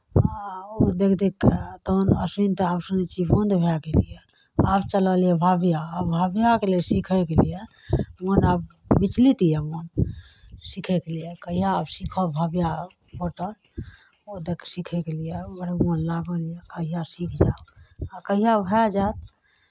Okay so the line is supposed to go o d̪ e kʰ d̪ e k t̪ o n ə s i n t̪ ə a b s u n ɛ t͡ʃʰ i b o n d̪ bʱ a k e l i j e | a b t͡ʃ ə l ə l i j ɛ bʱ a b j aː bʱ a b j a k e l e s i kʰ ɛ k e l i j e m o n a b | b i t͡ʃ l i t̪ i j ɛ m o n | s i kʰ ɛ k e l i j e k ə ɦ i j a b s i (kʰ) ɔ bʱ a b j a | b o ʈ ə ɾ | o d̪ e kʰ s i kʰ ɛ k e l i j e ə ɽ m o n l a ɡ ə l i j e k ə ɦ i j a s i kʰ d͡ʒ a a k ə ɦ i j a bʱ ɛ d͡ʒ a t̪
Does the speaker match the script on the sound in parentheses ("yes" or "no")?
yes